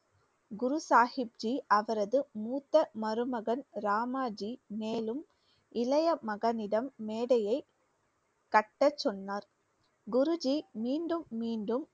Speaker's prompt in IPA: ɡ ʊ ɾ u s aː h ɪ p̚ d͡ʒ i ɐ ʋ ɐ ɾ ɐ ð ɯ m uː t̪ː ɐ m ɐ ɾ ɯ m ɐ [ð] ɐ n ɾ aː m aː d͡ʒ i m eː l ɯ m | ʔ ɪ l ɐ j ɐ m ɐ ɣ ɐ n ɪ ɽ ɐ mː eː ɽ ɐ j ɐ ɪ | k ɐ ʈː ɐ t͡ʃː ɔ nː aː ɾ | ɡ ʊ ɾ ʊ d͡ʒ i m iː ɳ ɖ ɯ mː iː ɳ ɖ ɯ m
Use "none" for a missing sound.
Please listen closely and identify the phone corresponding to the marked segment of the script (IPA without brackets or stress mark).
ɣ